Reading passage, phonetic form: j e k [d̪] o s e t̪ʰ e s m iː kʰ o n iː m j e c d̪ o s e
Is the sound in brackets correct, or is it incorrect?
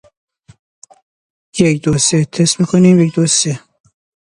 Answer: correct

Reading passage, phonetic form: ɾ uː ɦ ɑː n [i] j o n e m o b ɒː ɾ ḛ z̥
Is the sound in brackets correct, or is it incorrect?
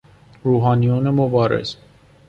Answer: correct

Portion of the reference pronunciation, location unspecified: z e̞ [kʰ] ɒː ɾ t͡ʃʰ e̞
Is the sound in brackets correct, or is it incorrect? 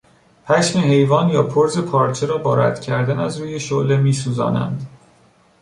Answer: incorrect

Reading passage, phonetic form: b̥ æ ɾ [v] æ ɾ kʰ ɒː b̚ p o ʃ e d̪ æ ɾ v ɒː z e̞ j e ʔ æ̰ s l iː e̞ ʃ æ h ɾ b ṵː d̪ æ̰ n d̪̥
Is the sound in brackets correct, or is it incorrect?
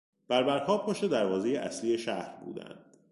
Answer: incorrect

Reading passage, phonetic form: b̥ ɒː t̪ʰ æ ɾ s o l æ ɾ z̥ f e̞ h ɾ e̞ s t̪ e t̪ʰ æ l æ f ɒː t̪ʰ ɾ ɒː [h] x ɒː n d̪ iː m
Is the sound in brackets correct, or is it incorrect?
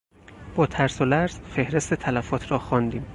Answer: incorrect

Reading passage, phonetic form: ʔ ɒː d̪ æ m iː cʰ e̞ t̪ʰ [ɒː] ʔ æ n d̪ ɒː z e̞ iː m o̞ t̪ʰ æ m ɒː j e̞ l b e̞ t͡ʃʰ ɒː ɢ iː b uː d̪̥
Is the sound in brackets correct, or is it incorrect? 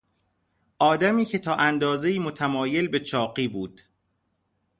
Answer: correct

